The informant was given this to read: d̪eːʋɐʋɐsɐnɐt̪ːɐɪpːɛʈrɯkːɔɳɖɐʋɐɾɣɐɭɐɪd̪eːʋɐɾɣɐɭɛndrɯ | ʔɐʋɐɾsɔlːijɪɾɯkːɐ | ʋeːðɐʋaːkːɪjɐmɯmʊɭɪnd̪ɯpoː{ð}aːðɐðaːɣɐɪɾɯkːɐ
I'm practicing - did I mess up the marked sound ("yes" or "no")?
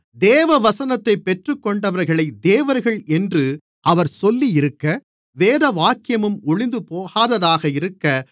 yes